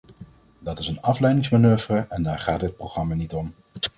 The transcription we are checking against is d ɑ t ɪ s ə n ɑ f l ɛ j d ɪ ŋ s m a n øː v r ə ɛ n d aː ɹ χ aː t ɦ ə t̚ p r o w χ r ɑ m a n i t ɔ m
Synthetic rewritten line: d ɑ t ɪ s ə n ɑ f l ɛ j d ɪ ŋ s m a n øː v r ə ɛ n d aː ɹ χ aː t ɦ ə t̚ p r o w χ r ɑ m a n i t ɔ m